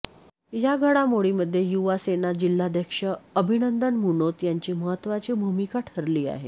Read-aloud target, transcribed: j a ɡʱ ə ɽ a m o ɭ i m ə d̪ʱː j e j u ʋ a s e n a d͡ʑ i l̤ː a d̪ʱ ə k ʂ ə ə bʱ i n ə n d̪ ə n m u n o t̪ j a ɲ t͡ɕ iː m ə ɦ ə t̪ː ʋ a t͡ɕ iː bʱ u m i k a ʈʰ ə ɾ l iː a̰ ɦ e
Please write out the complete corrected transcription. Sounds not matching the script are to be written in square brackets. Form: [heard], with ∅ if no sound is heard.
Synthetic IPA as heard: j a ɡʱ ə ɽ a m o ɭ i m ə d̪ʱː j e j u ʋ a s e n a d͡ʑ i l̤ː a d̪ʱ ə k ʂ ə ə bʱ i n ə n d̪ ə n m u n o t̪ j a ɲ t͡ɕ iː m ə ɦ ə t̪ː ʋ a t͡ɕ iː bʱ u m i k a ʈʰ ə ɾ l iː a̰ ɦ e